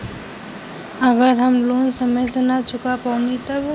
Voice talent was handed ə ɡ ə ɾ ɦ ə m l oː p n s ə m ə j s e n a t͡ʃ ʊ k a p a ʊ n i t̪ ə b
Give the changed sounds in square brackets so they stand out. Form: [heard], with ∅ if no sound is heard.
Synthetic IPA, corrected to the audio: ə ɡ ə ɾ ɦ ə m l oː [∅] n s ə m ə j s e n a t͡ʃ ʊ k a p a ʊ n i t̪ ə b